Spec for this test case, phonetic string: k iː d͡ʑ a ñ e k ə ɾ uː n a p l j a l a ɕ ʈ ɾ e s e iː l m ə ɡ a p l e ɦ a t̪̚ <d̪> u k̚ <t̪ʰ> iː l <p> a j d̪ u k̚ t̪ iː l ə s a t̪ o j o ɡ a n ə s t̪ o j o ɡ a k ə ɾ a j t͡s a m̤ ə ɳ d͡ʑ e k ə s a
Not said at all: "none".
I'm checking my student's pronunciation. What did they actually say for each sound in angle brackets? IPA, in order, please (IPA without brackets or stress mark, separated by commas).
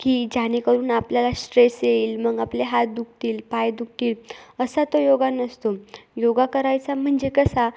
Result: d̪, t̪, p